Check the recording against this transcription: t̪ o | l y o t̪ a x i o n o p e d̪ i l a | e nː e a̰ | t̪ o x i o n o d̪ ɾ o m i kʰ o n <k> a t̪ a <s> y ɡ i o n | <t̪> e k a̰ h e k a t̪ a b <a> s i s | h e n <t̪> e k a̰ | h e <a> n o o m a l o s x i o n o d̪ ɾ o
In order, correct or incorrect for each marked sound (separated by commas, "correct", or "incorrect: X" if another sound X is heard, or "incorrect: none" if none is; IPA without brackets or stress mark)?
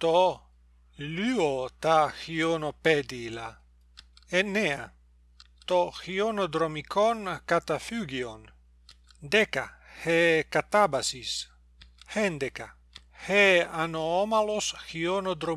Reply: correct, incorrect: f, incorrect: d̪, correct, incorrect: d̪, correct